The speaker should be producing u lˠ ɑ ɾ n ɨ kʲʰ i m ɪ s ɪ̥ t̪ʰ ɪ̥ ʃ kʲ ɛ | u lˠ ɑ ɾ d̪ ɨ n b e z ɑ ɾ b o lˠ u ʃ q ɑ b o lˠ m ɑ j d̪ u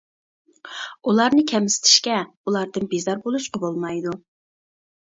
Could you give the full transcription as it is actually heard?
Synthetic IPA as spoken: u lˠ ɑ ɾ n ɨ kʲʰ ɛ m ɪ s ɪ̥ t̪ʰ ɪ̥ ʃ kʲ ɛ | u lˠ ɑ ɾ d̪ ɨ n b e z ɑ ɾ b o lˠ u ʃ q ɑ b o lˠ m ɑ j d̪ u